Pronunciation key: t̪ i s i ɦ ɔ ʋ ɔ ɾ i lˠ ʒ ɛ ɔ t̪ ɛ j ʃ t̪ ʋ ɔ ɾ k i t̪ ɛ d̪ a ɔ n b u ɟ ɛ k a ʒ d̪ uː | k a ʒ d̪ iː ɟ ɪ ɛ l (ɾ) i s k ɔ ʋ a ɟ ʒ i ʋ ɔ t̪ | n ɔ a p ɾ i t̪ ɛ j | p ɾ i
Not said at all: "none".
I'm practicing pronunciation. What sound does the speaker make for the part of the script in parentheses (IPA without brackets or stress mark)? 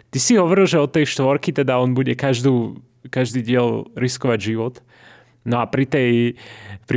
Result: ɾ